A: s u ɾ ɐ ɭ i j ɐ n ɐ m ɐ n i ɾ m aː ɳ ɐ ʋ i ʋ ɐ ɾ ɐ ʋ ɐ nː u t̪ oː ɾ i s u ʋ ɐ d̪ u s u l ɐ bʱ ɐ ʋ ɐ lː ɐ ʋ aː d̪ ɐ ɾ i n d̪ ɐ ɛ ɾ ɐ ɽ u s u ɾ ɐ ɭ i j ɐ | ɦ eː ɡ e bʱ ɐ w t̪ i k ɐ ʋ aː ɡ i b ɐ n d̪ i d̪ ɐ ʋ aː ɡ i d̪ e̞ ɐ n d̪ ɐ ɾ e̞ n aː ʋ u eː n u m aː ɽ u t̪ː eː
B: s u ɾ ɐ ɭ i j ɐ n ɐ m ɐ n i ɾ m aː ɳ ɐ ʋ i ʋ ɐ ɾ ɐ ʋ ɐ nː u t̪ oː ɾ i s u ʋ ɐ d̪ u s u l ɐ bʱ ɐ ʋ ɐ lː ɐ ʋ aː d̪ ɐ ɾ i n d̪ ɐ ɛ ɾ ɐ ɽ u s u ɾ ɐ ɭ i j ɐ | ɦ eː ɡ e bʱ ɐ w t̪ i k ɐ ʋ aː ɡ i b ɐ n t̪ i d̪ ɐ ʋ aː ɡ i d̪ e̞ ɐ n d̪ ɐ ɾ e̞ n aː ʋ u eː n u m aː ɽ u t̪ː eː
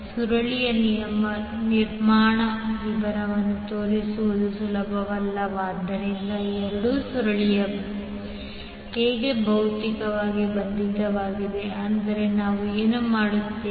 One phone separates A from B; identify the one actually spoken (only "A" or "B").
A